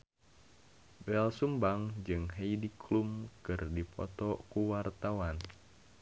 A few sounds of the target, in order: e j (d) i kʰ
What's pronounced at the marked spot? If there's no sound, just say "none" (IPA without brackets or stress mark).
d